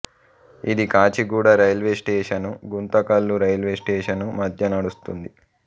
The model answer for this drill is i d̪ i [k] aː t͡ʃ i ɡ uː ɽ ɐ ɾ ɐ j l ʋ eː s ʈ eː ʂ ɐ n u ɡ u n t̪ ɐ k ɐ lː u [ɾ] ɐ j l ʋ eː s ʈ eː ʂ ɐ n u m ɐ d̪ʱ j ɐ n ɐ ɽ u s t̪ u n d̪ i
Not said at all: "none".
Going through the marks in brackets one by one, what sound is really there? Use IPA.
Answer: k, ɾ

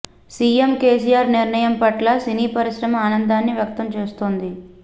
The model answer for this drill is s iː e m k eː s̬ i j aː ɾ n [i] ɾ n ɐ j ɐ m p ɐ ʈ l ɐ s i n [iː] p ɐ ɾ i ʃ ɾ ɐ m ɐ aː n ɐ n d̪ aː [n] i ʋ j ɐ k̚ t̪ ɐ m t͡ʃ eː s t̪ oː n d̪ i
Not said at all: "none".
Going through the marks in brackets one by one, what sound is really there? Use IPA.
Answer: i, iː, nː

